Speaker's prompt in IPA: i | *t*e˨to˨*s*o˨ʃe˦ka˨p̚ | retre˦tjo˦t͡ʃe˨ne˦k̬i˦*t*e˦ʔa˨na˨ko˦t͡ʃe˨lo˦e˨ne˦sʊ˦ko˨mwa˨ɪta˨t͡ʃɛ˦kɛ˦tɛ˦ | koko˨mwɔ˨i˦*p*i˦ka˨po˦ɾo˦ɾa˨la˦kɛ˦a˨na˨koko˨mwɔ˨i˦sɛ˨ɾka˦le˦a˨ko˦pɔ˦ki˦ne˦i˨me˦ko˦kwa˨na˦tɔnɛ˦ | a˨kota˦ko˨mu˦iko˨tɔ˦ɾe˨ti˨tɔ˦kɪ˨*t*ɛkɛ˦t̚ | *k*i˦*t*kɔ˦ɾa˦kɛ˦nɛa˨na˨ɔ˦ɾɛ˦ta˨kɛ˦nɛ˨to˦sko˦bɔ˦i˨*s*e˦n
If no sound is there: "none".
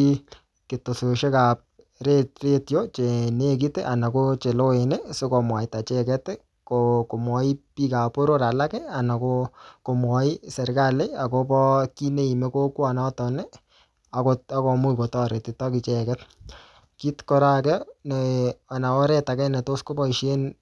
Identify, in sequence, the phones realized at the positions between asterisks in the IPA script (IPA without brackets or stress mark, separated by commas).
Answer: k, s, t, p, t͡ʃ, k, t, ʃ